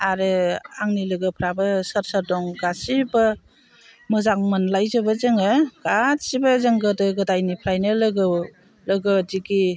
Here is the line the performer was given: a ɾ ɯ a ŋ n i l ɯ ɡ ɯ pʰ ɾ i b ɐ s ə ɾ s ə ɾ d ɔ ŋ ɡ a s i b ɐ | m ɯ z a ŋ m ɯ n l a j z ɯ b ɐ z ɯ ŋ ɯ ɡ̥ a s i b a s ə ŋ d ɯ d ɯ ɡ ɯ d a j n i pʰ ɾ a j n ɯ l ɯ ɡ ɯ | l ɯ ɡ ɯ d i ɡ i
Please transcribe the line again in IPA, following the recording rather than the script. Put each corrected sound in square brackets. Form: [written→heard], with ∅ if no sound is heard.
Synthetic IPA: a ɾ ɯ a ŋ n i l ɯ ɡ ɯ pʰ ɾ [i→a] b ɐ s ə ɾ s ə ɾ d ɔ ŋ ɡ a s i b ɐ | m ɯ z a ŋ m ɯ n l a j z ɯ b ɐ z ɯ ŋ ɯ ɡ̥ a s i b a [s→z] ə ŋ [d→ɡ] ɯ d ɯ ɡ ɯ d a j n i pʰ ɾ a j n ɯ l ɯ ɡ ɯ | l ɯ ɡ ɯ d i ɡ i